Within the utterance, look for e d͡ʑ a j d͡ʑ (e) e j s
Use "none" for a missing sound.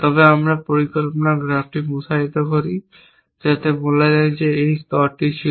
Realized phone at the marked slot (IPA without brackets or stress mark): e